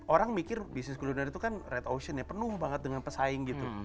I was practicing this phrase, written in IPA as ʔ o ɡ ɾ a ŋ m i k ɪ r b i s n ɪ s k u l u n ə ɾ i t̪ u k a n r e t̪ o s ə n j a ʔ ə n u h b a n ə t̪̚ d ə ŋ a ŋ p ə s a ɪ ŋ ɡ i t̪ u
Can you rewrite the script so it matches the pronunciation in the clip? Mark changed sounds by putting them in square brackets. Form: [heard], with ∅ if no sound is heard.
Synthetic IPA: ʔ o [∅] ɾ a ŋ m i k ɪ r b i s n ɪ s k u l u n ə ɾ i t̪ u k a n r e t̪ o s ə n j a [p] ə n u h b a [ŋ] ə t̪̚ d ə ŋ a [n] p ə s a ɪ ŋ ɡ i t̪ u